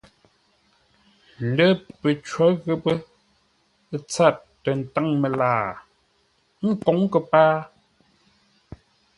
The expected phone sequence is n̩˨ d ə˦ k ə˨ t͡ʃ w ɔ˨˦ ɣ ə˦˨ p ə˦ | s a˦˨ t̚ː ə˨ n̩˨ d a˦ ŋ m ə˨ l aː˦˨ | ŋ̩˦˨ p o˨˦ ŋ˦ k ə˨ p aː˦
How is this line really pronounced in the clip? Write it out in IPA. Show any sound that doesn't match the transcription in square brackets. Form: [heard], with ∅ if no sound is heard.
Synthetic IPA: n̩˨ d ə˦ [p] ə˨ t͡ʃ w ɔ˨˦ ɣ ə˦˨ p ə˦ | [t͡s] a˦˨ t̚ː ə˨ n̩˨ [t] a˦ ŋ m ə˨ l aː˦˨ | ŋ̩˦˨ [k] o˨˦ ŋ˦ k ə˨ p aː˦